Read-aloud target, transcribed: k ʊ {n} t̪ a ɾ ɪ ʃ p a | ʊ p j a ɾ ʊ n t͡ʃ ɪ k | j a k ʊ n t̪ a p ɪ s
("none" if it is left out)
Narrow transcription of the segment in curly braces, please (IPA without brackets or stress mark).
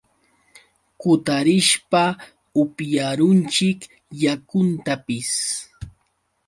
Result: none